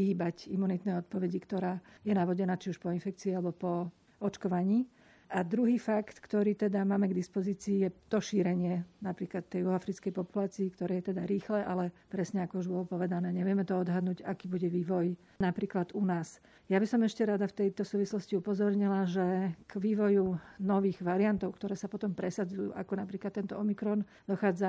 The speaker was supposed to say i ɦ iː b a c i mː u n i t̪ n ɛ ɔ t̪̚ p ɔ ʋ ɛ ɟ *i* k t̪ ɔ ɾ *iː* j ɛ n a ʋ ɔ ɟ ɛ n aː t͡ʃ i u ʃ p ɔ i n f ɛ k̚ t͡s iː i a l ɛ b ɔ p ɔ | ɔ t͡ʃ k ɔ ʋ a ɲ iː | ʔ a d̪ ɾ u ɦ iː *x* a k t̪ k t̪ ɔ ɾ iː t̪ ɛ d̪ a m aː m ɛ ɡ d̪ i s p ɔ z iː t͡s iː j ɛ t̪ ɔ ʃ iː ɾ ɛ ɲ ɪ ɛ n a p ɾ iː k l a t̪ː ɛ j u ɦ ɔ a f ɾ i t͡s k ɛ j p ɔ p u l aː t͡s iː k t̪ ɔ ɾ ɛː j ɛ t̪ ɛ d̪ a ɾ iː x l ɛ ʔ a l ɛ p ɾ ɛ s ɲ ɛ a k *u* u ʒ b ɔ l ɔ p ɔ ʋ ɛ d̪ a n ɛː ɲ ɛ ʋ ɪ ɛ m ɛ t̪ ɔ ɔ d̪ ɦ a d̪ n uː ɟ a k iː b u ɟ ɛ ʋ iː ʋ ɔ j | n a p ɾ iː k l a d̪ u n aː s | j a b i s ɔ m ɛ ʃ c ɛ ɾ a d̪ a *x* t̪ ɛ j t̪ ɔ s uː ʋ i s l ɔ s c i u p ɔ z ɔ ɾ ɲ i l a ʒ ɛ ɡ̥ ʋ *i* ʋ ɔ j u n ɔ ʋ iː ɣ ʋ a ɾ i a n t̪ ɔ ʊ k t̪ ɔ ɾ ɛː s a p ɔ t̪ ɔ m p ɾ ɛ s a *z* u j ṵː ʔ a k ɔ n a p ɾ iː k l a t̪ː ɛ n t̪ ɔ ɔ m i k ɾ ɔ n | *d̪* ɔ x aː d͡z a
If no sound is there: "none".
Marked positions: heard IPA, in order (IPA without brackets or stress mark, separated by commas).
i, aː, f, ɔ, f, iː, d͡z, d̪